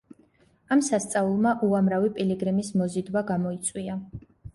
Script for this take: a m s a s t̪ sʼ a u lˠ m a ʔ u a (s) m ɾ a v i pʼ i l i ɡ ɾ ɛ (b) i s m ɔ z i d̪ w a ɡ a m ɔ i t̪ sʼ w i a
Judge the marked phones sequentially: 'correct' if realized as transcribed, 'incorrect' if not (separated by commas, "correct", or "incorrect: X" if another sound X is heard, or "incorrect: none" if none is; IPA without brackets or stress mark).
incorrect: none, incorrect: m